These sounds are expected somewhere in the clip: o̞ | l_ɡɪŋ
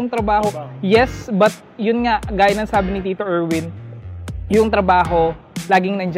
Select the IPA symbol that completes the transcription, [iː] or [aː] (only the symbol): aː